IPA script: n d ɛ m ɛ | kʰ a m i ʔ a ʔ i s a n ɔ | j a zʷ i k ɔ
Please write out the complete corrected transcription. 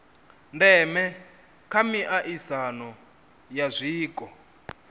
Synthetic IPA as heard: n d ɛ m ɛ | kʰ a m i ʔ a ʔ i s a n ɔ | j a zʷ iː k ɔ